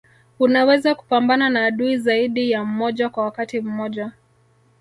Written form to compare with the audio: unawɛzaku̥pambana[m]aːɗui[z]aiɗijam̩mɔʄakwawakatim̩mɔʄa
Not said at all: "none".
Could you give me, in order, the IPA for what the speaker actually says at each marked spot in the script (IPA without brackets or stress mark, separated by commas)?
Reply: n, z